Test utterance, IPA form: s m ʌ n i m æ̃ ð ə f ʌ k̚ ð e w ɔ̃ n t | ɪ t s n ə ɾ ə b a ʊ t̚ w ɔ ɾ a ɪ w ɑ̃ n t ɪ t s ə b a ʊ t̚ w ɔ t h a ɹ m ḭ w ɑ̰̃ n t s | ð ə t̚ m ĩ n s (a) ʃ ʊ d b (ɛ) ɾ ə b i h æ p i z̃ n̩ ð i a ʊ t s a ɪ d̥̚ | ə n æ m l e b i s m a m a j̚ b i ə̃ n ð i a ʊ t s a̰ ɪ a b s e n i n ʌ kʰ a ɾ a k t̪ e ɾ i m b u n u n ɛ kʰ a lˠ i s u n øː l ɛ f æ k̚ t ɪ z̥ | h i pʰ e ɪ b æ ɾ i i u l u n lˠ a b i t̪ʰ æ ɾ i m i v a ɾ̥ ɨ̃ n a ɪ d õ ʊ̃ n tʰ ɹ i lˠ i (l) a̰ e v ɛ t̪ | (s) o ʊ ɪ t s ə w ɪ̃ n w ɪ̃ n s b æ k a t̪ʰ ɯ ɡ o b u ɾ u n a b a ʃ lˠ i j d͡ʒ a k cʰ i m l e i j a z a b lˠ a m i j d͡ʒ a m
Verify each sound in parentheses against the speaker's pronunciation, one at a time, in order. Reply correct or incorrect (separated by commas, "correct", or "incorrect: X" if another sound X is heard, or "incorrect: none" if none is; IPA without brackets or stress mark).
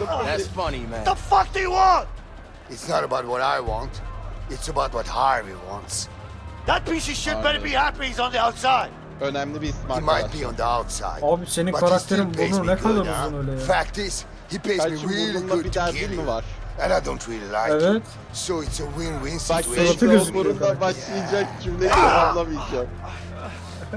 incorrect: i, correct, correct, correct